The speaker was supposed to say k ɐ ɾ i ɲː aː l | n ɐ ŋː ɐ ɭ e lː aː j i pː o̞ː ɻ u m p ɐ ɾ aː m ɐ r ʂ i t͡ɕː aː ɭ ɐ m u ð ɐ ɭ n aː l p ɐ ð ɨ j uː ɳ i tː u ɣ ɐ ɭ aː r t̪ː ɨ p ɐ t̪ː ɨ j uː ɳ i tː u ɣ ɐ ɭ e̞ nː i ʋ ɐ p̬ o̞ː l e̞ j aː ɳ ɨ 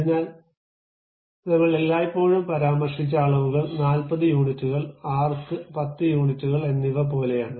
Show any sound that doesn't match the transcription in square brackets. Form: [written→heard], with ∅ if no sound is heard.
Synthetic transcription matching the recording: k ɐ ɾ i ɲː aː l | n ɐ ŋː ɐ ɭ e lː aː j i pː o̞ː ɻ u m p ɐ ɾ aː m ɐ r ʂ i t͡ɕː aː ɭ ɐ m u [ð→ɣ] ɐ ɭ n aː l p ɐ ð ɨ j uː ɳ i tː u ɣ ɐ ɭ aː r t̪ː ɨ p ɐ t̪ː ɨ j uː ɳ i tː u ɣ ɐ ɭ e̞ nː i ʋ ɐ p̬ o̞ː l e̞ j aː ɳ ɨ